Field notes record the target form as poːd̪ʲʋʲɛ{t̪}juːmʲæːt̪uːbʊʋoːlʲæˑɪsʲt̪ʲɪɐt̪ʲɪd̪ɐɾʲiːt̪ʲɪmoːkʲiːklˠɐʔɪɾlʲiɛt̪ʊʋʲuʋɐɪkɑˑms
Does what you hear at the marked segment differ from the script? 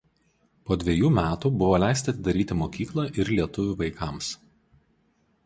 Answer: yes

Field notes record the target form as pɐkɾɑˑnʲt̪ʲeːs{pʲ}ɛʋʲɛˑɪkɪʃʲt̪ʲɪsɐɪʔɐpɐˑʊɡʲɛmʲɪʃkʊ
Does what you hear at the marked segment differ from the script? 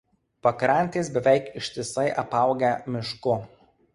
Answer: yes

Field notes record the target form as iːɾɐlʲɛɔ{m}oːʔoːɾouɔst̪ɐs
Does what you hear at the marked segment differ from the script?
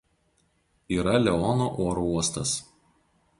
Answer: yes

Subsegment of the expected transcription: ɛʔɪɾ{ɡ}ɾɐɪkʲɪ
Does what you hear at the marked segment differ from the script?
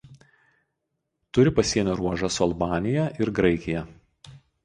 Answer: no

